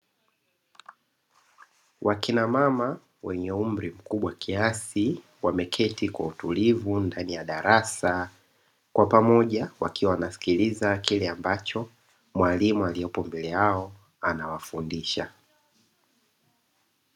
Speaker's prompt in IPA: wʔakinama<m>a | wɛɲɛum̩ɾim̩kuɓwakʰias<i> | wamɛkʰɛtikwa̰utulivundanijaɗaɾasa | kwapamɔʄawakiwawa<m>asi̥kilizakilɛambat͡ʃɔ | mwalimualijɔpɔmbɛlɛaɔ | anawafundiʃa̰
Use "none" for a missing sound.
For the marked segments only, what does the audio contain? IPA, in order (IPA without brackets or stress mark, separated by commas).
m, i, n